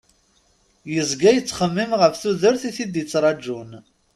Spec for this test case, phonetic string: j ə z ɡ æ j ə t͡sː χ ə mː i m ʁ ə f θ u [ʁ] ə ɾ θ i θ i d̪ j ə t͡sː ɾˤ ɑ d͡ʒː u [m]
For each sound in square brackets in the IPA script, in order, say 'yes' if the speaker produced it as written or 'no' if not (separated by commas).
no, no